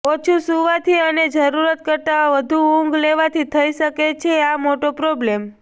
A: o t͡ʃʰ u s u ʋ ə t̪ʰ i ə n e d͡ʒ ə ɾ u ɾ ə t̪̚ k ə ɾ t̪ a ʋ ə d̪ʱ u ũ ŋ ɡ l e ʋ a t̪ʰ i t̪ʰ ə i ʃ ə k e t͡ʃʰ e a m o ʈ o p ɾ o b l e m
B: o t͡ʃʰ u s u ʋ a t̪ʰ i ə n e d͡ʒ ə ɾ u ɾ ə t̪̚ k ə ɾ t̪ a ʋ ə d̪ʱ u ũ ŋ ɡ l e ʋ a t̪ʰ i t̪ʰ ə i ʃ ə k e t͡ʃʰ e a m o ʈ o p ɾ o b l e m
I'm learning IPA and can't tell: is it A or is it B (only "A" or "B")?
B